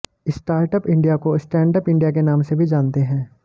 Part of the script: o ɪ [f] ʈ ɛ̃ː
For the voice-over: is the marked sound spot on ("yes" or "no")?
no